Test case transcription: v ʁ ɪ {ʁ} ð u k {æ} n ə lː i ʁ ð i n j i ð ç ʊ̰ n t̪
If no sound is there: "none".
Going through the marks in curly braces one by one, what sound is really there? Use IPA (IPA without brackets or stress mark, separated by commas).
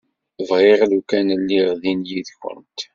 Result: ʁ, æ